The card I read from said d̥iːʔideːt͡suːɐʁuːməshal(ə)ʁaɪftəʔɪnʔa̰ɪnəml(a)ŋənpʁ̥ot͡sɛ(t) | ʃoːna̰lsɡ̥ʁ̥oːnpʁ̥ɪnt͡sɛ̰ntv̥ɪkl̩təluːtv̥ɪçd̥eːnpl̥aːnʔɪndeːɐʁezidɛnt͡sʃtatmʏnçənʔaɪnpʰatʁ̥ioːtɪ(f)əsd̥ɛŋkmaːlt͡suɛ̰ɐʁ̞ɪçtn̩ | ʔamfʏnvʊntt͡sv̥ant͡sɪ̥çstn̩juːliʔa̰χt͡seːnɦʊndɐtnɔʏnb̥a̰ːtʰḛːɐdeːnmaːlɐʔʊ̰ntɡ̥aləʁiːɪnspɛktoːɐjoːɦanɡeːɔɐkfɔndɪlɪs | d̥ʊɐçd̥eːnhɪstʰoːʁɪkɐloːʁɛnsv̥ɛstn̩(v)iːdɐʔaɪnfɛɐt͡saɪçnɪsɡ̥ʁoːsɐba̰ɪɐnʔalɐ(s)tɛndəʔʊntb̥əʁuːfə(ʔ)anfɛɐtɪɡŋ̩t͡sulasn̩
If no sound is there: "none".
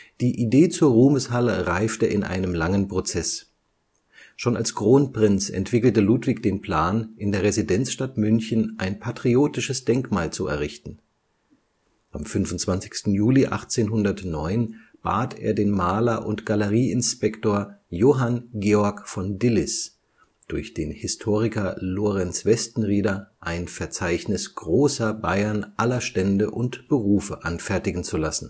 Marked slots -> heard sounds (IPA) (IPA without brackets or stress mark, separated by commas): ə, a, s, ʃ, ʁ, ʃ, ʔ